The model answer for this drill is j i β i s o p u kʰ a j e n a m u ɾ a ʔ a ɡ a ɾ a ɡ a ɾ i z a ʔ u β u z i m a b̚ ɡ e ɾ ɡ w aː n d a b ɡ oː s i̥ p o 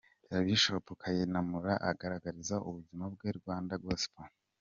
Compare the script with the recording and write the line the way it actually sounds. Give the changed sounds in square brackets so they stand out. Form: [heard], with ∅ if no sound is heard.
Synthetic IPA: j [a] β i [ʃ] o p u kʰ a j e n a m u ɾ a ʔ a ɡ a ɾ a ɡ a ɾ i z a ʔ u β u z i m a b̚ ɡ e ɾ ɡ w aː n d a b ɡ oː s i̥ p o

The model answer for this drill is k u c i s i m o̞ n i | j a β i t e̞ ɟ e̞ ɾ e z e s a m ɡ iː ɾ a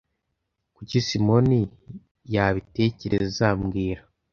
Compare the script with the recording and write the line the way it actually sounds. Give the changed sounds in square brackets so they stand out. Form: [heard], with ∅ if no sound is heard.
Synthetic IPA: k u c i s i m o̞ n i | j a β i t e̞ [c] e̞ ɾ e z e [z] a m ɡ iː ɾ a

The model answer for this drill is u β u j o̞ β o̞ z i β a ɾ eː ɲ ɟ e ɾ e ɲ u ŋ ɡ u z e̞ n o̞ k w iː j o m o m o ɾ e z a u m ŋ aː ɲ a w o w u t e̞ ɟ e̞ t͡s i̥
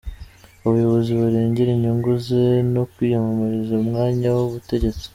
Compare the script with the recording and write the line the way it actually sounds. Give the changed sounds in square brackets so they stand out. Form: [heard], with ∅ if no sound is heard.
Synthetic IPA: u β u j o̞ β o̞ z i β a ɾ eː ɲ ɟ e ɾ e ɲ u ŋ ɡ u z e̞ n o̞ k w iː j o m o m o ɾ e z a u m ŋ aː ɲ a w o [β] u t e̞ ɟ e̞ t͡s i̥

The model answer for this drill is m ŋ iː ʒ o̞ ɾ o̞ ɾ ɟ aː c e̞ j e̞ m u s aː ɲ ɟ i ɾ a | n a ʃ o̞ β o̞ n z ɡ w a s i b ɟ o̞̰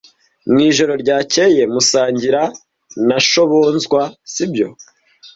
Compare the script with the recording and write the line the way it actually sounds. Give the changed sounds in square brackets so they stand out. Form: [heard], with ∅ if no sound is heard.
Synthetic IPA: m ŋ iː ʒ o̞ ɾ o̞ ɾ ɟ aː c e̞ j e̞ m u s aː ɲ ɟ i ɾ a | n a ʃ o̞ β o̞ n z ɡ w a s i b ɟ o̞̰

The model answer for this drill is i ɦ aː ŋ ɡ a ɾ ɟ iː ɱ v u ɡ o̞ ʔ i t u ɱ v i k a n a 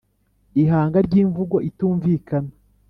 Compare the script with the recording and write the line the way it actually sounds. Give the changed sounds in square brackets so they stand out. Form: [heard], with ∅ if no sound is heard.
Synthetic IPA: i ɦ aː ŋ ɡ a ɾ ɟ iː ɱ v u ɡ o̞ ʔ i t [uː] ɱ v i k a n a

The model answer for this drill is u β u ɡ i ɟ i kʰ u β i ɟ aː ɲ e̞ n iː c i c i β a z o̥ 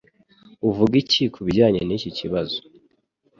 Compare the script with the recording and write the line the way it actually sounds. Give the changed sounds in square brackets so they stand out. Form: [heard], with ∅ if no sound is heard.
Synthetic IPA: u [v] u ɡ i [c] i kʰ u β i ɟ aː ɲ e̞ n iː c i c i β a z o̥

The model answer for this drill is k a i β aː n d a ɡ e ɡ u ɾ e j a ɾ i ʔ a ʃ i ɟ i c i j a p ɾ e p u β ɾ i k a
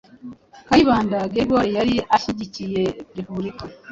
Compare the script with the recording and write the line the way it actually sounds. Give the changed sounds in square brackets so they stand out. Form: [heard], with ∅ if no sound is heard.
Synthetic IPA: k a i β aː n d a ɡ e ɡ [o] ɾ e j a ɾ i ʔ a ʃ i ɟ i c i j [e] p ɾ e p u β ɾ i k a

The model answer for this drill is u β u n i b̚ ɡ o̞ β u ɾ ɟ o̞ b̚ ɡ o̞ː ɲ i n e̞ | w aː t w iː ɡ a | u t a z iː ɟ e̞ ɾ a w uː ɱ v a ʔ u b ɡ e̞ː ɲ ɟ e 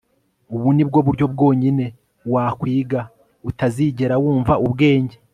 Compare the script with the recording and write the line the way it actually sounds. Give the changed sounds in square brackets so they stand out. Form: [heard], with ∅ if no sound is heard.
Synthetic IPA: u β u n i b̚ ɡ o̞ β u ɾ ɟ o̞ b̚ ɡ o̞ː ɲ i n e̞ | w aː [k] w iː ɡ a | u t a z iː ɟ e̞ ɾ a w uː ɱ v a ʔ u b ɡ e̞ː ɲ ɟ e

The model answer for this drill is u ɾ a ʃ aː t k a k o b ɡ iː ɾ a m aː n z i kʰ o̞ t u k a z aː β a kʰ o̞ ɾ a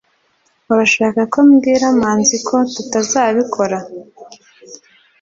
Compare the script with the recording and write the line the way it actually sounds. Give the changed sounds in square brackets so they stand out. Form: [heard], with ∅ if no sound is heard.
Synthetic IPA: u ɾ a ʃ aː [∅] k a k o [m] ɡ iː ɾ a m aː n z i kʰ o̞ t u [t] a z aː β [i] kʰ o̞ ɾ a

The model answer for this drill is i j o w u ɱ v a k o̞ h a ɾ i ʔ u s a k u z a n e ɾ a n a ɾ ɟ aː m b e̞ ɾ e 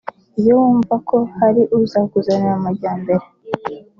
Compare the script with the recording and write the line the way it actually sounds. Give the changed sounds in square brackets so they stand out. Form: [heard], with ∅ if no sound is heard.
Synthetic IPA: i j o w [uː] ɱ v a k o̞ h a ɾ i ʔ u [z] a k u z a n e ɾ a [m] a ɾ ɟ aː m b e̞ ɾ e

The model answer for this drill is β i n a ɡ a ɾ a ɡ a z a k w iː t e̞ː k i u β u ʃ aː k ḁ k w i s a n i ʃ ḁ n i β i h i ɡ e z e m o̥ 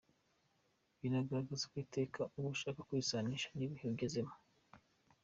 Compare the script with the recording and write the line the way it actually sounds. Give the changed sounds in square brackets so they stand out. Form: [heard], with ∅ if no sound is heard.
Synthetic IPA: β i n a ɡ a ɾ a ɡ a z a k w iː t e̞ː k [a] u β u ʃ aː k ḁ k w i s a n i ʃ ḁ n i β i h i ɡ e z e m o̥

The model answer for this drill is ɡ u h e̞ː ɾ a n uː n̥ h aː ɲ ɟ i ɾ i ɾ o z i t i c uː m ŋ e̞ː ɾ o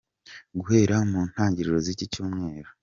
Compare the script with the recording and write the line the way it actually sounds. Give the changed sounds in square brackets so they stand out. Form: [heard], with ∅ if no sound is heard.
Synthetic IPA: ɡ u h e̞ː ɾ a [m] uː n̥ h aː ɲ ɟ i ɾ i ɾ o z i [c] i c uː m ŋ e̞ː ɾ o

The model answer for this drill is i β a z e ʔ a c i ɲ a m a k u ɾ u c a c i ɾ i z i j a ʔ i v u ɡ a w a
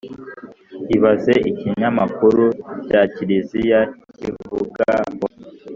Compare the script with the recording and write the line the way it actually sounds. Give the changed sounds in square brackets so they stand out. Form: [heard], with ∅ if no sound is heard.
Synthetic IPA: i β a z e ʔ [i] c i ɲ a m a k u ɾ u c a c i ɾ i z i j a [c] i v u ɡ a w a

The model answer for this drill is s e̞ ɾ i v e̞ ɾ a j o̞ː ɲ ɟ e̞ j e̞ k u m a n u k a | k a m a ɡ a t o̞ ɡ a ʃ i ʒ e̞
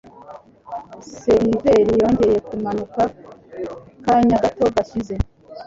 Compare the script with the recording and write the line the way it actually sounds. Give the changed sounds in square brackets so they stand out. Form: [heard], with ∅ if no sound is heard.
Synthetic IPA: s e̞ ɾ i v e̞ ɾ [i] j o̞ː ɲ ɟ e̞ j e̞ k u m a n u k a | k a [ɲ] a ɡ a t o̞ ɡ a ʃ i [z] e̞

